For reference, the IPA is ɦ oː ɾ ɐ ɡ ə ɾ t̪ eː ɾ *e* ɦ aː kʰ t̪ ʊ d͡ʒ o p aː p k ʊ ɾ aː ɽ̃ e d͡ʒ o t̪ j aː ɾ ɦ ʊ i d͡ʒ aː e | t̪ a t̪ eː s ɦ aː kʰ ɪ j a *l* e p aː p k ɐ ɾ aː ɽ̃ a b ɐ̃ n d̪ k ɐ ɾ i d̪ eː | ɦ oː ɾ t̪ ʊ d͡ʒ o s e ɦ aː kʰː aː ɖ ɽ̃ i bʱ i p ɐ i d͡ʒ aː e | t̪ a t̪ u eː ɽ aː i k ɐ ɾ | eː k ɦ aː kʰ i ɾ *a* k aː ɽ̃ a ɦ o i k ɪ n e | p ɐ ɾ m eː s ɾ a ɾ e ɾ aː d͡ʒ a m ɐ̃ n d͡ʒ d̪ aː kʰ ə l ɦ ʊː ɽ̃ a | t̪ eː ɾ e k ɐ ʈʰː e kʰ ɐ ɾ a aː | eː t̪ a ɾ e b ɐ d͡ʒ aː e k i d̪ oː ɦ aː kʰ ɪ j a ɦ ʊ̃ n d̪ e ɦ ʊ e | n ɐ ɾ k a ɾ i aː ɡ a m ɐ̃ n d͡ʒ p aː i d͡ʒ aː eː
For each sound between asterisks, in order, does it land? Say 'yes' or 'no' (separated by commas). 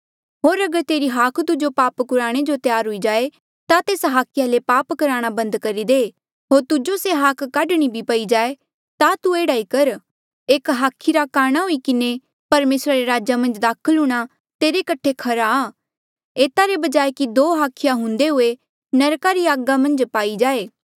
no, yes, yes